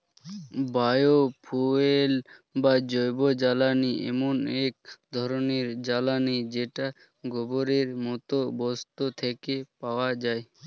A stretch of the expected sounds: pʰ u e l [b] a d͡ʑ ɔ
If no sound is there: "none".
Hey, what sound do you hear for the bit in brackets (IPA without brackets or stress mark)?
b